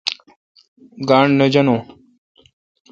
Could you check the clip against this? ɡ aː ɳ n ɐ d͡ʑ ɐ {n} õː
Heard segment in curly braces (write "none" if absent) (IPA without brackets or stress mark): n